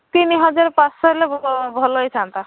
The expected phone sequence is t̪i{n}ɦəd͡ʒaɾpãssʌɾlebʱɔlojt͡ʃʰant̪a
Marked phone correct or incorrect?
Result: correct